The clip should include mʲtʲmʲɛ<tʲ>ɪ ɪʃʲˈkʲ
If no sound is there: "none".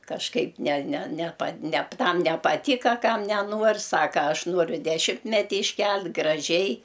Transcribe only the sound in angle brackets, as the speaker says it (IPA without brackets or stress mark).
tʲ